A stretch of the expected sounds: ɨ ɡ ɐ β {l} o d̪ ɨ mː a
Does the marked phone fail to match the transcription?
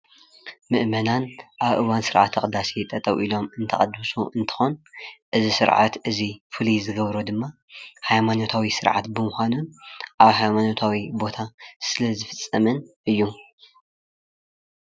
yes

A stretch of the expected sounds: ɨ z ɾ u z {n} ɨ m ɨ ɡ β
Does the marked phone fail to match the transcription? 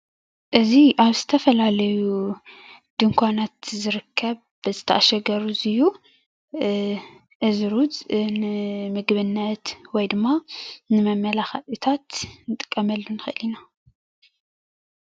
no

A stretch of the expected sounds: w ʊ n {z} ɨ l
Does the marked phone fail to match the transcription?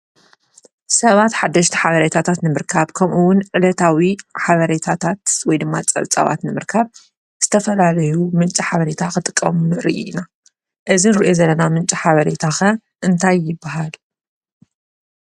yes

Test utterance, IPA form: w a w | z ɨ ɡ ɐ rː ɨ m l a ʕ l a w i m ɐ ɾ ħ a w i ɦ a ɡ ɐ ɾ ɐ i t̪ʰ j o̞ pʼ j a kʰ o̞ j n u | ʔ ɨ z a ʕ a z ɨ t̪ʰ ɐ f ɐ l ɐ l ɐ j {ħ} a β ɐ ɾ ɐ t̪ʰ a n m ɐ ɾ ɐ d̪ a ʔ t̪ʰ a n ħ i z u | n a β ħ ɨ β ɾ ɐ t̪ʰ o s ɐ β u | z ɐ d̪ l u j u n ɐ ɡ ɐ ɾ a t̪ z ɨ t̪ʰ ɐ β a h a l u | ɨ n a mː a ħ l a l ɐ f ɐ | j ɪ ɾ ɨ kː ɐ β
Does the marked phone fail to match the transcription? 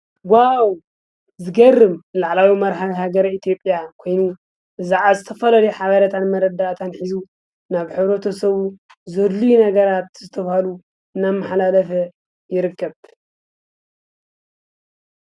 no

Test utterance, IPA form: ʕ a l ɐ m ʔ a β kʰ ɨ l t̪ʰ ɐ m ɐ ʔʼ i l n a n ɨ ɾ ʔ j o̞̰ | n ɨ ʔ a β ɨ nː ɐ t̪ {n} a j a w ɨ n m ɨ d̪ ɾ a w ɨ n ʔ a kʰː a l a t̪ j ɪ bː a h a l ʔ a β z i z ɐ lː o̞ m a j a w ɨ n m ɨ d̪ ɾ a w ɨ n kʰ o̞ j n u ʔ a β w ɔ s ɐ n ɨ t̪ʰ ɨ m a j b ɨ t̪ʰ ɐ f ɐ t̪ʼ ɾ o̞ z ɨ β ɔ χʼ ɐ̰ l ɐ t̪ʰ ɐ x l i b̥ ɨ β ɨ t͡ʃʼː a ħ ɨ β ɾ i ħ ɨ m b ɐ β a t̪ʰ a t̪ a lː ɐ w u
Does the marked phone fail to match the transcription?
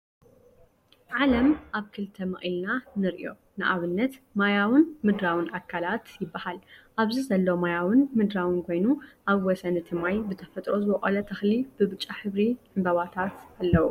yes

